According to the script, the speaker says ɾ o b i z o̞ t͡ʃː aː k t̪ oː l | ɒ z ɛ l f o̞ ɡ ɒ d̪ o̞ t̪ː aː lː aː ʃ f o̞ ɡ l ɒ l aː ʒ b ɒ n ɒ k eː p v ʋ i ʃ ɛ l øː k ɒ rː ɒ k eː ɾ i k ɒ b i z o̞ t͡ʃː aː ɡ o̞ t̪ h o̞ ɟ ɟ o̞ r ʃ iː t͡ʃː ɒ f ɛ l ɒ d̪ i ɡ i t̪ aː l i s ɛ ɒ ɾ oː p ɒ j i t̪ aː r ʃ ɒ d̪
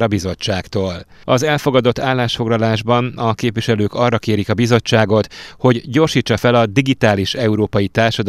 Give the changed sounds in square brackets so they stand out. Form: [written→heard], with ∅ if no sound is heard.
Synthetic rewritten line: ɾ [o→ɒ] b i z o̞ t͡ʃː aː k t̪ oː l | ɒ z ɛ l f o̞ ɡ ɒ d̪ o̞ t̪ː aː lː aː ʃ f o̞ ɡ l ɒ l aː ʒ b ɒ n ɒ k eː p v ʋ i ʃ ɛ l øː k ɒ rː ɒ k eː ɾ i k ɒ b i z o̞ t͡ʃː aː ɡ o̞ t̪ h o̞ ɟ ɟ o̞ r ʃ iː t͡ʃː ɒ f ɛ l ɒ d̪ i ɡ i t̪ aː l i [s→ʃ] ɛ [ɒ→u] ɾ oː p ɒ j i t̪ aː r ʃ ɒ d̪